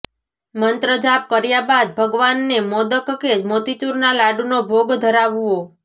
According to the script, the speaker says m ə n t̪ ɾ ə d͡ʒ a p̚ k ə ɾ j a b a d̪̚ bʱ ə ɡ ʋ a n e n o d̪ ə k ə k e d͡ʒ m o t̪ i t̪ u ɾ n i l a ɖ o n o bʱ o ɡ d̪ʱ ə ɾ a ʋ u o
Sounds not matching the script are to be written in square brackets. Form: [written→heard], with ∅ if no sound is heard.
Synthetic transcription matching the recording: m ə n t̪ ɾ ə d͡ʒ a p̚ k ə ɾ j a b a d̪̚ bʱ ə ɡ ʋ a [n→nː] e [n→m] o d̪ ə k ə k e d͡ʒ m o t̪ i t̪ u ɾ n [i→a] l a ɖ [o→u] n o bʱ o ɡ d̪ʱ ə ɾ a ʋ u o